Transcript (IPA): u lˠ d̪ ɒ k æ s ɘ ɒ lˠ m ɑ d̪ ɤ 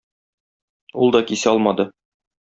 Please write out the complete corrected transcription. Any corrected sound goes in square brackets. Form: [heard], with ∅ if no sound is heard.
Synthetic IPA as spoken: u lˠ d̪ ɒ k [i] s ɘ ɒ lˠ m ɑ d̪ ɤ